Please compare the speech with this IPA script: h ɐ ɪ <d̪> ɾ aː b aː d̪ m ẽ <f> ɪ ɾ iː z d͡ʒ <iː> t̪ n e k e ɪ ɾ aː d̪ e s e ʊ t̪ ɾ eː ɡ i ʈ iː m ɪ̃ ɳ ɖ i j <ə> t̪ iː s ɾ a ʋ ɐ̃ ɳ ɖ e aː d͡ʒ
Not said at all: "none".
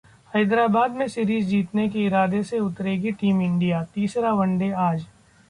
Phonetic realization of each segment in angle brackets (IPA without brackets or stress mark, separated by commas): d̪, s, iː, a